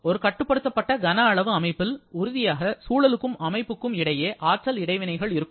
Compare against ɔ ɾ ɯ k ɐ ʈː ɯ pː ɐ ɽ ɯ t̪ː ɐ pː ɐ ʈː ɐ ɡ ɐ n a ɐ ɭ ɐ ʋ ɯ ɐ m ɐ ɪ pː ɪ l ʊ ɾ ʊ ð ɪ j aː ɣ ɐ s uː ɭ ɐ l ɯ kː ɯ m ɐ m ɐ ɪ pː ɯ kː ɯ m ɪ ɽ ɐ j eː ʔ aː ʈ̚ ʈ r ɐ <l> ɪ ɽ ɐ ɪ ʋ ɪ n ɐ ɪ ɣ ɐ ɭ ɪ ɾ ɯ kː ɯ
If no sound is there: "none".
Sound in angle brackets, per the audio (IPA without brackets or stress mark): l